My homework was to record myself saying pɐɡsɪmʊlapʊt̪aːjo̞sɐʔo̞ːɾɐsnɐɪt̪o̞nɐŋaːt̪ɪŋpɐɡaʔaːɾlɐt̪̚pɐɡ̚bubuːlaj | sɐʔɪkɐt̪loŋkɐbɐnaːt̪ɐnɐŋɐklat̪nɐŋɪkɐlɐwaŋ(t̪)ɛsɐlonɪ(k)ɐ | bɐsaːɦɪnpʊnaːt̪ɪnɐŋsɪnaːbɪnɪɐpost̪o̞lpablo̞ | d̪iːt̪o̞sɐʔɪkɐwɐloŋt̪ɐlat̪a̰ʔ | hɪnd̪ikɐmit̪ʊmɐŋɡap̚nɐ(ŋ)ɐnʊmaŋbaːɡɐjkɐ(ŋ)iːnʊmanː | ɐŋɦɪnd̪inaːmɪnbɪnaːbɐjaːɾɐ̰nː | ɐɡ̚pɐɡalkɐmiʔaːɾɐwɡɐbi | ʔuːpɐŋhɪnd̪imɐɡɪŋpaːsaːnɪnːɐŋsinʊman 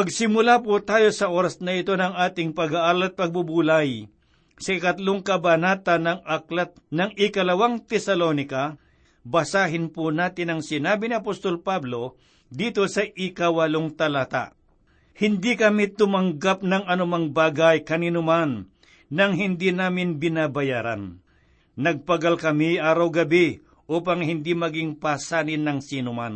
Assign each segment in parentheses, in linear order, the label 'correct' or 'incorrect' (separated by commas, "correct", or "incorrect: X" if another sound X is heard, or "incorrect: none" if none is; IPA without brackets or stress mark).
correct, correct, correct, incorrect: n